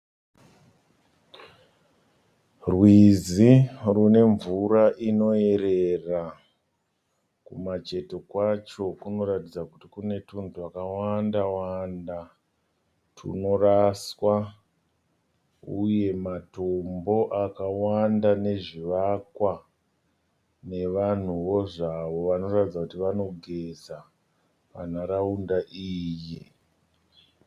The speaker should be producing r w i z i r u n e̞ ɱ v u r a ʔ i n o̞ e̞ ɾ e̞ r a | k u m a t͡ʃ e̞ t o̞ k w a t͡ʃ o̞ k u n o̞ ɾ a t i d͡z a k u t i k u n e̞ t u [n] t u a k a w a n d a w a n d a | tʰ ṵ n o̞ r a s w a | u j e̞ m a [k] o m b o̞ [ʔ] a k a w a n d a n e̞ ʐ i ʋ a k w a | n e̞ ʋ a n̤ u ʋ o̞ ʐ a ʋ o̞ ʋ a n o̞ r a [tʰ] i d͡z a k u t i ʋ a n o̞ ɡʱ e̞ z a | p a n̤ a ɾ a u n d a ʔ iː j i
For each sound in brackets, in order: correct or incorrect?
correct, incorrect: t, correct, incorrect: t

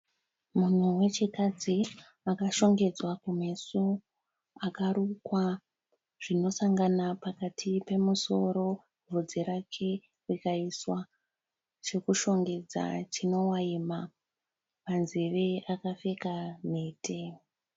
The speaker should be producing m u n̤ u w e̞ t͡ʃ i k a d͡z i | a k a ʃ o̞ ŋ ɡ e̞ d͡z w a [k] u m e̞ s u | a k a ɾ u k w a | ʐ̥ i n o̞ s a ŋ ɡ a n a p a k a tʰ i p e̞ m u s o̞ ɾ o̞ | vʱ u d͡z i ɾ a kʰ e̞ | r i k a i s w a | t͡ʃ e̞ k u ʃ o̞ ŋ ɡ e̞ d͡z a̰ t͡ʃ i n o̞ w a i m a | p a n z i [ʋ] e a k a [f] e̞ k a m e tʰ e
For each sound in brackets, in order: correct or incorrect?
correct, correct, correct

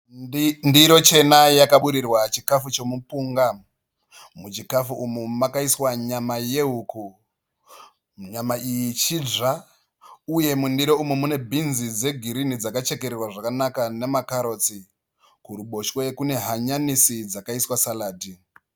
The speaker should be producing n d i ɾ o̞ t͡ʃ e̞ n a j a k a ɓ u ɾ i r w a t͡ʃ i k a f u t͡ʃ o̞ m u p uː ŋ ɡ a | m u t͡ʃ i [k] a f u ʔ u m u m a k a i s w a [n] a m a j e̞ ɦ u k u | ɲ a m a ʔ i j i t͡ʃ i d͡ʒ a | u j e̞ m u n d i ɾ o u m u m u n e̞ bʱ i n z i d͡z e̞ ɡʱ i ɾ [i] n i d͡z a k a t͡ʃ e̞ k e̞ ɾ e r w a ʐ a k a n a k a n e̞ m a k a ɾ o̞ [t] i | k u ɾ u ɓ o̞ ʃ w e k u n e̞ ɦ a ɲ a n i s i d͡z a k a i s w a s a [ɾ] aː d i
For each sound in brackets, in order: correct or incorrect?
correct, incorrect: ɲ, correct, incorrect: t͡s, incorrect: l

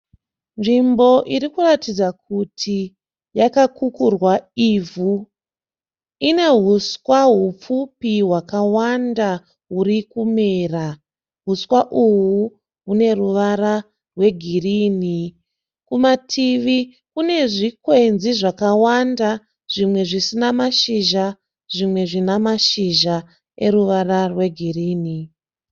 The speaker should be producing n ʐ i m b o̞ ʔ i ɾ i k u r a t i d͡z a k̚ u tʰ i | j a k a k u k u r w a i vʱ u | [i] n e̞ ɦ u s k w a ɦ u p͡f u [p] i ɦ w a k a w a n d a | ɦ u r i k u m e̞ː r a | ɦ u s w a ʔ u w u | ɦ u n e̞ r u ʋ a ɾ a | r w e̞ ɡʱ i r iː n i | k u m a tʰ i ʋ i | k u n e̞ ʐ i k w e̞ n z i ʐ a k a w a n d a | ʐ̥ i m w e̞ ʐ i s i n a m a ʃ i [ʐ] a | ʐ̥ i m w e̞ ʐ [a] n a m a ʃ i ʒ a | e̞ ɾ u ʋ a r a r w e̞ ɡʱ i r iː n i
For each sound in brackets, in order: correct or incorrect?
correct, correct, incorrect: ʒ, incorrect: i

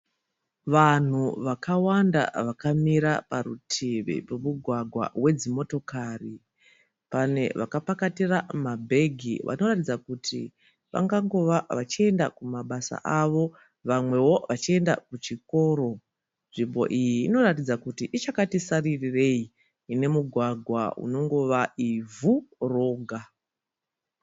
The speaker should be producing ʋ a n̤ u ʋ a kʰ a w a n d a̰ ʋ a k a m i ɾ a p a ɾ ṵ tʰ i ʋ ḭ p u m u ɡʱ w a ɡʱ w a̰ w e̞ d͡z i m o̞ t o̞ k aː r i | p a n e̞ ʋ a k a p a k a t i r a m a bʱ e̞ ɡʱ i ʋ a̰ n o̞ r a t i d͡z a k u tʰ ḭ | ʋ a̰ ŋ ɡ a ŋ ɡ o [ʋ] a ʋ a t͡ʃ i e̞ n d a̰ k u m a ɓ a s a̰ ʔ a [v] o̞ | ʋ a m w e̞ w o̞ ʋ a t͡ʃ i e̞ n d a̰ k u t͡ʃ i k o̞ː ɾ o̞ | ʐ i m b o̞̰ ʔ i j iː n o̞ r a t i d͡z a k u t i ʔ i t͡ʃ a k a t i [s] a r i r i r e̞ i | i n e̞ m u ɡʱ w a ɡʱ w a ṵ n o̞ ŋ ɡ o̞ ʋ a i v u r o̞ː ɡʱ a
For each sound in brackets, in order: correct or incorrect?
correct, incorrect: ʋ, correct

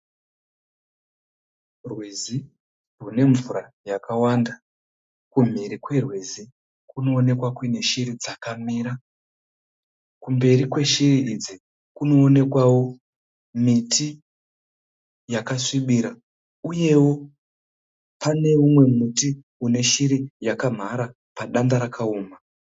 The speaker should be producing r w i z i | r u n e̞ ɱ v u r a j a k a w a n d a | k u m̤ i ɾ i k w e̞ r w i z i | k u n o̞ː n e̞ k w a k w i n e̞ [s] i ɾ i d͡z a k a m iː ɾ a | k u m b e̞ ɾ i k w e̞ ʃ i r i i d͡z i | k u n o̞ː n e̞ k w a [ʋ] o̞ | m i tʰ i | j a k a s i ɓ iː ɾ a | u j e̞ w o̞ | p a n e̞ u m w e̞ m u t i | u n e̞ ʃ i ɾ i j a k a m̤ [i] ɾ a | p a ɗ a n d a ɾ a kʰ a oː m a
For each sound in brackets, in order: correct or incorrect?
incorrect: ʃ, incorrect: w, incorrect: a

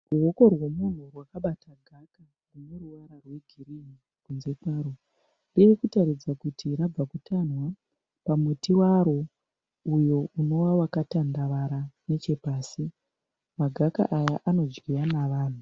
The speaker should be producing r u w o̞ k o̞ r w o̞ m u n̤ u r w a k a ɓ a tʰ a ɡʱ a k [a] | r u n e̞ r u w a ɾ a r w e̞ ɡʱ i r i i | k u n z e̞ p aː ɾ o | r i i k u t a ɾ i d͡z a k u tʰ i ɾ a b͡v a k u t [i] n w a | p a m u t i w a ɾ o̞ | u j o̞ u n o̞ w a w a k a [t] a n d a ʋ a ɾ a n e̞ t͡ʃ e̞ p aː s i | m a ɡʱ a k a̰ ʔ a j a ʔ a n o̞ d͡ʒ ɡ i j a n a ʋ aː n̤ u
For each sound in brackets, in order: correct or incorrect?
correct, incorrect: a, correct

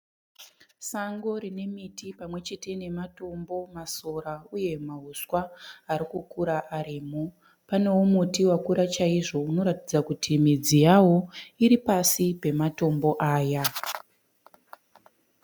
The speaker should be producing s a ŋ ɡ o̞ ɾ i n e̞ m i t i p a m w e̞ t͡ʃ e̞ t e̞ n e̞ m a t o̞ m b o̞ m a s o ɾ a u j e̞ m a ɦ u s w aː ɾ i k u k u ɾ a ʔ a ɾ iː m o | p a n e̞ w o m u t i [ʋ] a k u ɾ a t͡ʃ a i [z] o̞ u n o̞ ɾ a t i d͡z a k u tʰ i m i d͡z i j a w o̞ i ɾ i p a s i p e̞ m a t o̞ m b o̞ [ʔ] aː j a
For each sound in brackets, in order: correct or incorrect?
incorrect: w, incorrect: ʐ, correct

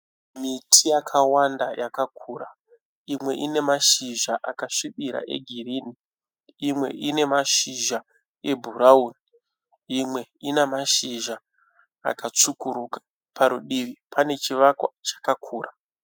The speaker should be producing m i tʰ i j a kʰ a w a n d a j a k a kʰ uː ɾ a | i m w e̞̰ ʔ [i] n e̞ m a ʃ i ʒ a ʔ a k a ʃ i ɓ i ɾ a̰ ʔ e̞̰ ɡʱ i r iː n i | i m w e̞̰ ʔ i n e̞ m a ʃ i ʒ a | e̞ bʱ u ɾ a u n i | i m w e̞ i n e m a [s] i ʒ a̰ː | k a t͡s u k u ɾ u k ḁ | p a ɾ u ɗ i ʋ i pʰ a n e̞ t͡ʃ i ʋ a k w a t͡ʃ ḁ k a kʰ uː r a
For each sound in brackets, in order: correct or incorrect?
correct, incorrect: ʃ

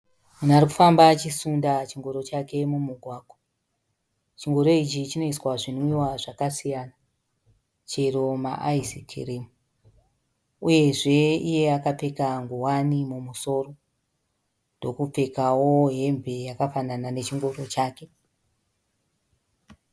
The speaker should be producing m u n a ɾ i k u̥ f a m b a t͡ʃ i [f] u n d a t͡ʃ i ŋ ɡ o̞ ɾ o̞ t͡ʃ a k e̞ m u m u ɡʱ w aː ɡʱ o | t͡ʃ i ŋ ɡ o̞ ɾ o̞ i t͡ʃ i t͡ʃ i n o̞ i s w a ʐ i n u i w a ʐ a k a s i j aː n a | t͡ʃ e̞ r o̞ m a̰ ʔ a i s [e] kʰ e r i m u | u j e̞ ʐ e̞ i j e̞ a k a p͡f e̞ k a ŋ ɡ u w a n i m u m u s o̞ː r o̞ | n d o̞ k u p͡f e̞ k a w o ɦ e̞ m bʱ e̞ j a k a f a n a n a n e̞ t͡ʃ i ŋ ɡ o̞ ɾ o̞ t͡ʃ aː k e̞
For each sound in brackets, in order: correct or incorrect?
incorrect: s, incorrect: i

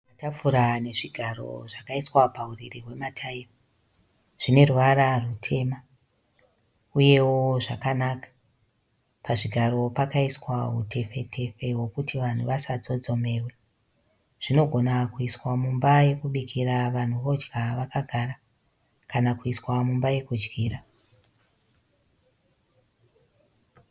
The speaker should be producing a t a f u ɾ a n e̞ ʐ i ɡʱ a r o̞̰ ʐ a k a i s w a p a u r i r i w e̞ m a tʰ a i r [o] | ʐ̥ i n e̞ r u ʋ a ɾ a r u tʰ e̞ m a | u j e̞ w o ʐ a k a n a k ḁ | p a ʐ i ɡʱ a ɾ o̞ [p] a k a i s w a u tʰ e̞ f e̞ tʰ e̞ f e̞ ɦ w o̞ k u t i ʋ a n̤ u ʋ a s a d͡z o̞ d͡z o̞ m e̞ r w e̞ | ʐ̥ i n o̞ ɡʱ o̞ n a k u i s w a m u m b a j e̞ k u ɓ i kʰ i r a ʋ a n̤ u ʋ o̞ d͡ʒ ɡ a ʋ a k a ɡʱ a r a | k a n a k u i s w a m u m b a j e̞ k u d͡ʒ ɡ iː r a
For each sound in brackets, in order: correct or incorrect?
correct, correct

